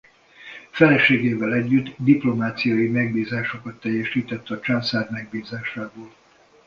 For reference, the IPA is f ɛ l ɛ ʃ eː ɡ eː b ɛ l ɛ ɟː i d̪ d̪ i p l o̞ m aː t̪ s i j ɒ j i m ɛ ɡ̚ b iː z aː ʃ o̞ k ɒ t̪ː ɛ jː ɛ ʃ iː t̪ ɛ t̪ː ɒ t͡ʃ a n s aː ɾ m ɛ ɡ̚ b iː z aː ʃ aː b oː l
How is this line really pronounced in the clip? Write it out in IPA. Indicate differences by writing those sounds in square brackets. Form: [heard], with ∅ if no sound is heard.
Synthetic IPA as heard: f ɛ l ɛ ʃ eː ɡ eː [v] ɛ l ɛ ɟː [y] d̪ d̪ i p l o̞ m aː t̪ s i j ɒ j i m ɛ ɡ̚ b iː z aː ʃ o̞ k ɒ t̪ː ɛ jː ɛ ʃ iː t̪ ɛ t̪ː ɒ t͡ʃ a n s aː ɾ m ɛ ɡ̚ b iː z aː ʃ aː b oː l